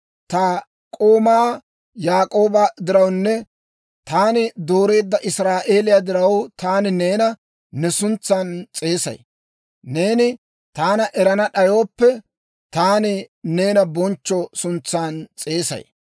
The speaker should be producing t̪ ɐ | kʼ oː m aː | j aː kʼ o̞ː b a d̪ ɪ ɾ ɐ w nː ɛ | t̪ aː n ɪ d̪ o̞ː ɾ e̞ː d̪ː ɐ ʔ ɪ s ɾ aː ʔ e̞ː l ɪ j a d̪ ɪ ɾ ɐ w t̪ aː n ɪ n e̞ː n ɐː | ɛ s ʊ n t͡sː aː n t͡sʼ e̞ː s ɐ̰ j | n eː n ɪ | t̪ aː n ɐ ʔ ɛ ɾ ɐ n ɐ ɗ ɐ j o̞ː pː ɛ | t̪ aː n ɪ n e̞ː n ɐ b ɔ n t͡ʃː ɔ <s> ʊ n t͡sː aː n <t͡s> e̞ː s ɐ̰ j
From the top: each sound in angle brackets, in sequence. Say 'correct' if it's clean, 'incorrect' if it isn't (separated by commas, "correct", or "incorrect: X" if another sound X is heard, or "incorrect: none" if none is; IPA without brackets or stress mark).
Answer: correct, incorrect: t͡sʼ